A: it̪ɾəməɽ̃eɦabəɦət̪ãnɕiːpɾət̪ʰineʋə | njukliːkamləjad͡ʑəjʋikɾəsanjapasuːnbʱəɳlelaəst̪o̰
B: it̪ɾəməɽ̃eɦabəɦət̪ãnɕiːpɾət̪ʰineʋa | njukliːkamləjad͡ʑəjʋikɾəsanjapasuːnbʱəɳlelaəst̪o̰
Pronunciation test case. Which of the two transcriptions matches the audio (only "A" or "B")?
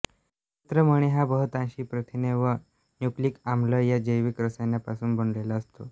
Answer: A